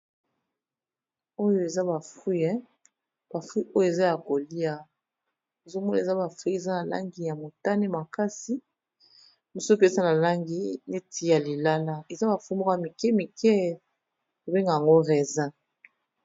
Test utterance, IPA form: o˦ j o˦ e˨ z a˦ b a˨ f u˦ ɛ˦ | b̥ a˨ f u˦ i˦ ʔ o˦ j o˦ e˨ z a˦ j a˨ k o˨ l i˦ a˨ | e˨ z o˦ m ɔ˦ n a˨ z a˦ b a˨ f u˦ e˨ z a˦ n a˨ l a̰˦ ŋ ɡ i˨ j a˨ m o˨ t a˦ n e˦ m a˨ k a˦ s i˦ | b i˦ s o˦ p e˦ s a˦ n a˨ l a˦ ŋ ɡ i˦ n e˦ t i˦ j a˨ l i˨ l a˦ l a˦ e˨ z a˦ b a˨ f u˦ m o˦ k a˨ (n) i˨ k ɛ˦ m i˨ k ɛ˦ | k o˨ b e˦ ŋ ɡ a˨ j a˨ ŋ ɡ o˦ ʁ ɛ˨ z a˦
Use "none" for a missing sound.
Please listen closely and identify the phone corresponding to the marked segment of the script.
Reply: m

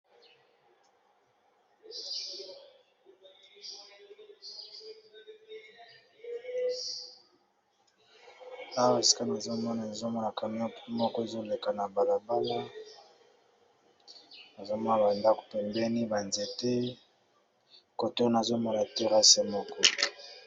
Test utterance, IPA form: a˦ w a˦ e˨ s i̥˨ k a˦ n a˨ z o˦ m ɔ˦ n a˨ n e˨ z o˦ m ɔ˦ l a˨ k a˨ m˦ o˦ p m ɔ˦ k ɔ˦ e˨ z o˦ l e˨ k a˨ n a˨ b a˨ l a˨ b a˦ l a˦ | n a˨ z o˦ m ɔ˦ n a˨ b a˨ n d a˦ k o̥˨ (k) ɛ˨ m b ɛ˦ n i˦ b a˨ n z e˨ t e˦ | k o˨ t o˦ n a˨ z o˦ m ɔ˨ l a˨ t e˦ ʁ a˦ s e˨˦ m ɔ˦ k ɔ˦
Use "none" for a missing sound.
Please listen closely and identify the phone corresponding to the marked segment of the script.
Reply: p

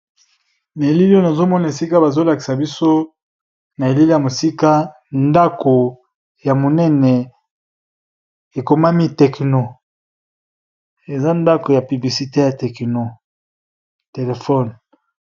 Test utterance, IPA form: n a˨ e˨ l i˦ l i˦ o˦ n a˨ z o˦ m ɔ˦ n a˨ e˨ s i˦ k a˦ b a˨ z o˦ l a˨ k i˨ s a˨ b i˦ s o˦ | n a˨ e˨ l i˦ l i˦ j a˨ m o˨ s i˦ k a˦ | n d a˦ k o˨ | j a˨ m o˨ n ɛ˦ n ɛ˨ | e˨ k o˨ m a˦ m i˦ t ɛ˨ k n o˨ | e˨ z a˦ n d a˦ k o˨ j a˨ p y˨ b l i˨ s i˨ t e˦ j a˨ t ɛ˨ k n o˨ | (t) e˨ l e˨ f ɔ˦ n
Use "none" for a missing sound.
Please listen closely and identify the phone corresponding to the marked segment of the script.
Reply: t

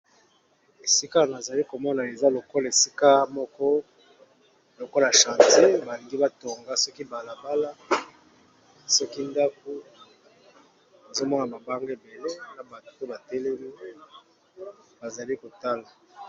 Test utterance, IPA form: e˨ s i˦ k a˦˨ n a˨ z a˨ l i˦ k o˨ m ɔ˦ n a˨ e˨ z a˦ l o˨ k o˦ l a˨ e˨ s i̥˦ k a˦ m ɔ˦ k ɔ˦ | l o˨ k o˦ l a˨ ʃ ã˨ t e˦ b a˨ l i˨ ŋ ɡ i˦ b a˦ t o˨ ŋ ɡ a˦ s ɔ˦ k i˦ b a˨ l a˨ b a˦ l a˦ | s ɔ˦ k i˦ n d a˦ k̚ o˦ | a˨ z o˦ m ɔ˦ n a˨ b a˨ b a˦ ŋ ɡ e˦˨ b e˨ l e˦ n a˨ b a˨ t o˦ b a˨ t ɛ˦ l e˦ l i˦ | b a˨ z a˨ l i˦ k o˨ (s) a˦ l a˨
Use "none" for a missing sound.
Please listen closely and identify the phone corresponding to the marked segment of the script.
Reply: t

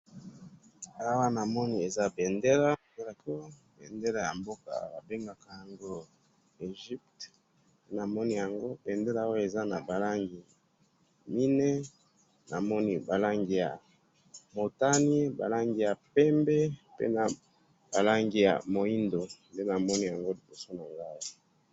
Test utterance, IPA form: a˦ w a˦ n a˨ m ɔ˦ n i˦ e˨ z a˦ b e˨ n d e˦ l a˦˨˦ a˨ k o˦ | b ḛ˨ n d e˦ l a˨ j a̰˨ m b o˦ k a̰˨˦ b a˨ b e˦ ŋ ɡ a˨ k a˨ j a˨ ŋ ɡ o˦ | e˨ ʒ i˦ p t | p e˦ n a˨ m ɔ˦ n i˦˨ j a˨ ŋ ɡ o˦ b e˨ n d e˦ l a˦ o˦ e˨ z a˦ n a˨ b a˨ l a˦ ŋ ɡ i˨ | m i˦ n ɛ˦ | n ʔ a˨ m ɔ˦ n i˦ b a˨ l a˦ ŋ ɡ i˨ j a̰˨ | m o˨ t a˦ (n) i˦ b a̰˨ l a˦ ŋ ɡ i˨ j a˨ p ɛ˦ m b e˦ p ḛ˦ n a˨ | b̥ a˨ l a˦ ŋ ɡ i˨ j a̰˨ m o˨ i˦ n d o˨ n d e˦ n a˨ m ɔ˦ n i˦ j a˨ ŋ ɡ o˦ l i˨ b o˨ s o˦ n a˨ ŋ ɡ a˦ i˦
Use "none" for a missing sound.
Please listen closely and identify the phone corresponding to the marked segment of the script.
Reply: n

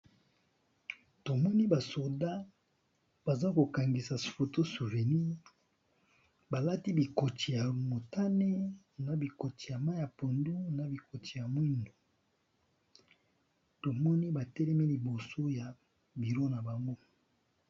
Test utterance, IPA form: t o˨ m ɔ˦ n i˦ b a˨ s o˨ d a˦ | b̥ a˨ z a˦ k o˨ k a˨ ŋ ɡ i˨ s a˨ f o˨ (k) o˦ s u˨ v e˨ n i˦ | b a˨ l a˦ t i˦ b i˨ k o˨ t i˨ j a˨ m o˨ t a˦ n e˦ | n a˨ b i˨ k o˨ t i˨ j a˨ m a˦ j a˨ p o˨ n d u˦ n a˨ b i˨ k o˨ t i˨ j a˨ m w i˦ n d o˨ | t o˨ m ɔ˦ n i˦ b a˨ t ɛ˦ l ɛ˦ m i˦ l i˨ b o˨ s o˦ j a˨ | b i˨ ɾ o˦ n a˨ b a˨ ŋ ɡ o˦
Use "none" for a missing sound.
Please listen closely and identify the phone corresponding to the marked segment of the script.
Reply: t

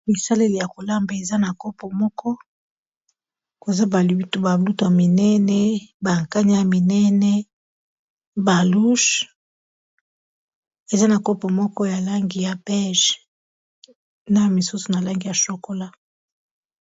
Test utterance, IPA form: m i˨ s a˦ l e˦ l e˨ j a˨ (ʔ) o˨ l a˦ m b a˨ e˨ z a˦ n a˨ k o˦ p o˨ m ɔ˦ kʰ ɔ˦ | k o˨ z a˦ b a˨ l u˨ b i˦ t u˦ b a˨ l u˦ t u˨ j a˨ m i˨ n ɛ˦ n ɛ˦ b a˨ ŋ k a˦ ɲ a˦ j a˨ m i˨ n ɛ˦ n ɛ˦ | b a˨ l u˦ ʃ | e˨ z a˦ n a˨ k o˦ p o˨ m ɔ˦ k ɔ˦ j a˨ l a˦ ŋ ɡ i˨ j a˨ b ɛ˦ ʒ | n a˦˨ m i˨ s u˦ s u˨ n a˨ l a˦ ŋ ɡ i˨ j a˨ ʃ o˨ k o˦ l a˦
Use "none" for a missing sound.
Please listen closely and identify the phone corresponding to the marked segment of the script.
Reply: k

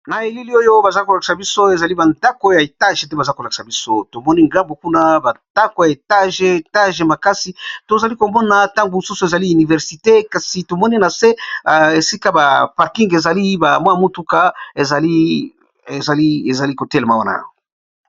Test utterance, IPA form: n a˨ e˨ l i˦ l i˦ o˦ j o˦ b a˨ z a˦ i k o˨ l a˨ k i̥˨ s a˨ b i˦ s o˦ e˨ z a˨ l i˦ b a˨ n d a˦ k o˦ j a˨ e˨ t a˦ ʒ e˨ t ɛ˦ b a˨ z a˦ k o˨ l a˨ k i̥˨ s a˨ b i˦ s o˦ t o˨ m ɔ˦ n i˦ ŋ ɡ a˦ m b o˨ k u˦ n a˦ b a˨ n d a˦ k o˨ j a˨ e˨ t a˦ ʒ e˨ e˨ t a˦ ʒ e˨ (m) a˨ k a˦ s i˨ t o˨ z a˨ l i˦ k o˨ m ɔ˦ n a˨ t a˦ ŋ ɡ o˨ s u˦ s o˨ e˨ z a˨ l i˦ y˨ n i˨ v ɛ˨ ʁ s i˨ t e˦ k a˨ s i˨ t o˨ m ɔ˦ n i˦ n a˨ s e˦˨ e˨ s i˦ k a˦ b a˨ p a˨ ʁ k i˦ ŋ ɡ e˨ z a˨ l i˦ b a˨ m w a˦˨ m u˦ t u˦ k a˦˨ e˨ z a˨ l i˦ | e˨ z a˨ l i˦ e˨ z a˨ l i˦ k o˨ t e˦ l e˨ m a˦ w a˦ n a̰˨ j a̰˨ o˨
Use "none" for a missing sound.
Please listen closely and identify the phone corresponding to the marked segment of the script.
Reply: m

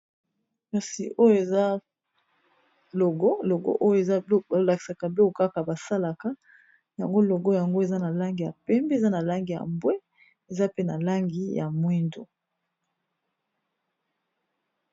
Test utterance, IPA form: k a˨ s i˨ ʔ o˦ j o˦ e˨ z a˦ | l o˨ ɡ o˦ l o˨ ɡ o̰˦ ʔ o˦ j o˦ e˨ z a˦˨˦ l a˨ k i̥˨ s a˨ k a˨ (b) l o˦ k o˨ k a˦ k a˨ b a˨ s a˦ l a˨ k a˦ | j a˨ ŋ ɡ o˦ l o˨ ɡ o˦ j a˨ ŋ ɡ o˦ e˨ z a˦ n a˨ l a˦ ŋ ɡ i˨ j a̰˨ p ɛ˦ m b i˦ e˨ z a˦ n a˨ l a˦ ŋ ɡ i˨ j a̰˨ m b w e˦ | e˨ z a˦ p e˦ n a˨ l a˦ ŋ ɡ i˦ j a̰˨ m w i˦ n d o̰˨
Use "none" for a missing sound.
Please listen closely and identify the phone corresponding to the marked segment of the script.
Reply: b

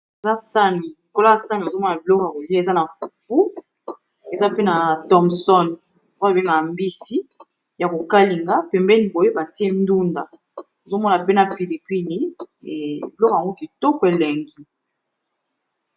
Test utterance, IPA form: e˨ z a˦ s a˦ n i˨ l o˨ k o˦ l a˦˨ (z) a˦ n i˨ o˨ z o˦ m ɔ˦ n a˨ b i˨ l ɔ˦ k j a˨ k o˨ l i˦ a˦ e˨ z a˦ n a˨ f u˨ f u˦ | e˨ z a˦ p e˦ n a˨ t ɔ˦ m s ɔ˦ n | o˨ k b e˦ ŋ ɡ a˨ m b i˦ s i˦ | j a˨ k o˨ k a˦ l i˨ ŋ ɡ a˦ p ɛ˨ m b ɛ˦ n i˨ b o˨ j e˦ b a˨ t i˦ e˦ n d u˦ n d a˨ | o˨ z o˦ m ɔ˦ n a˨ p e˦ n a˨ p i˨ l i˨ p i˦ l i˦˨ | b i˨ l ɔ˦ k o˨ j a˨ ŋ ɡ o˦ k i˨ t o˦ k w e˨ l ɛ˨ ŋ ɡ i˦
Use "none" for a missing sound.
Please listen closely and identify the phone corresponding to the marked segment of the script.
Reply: s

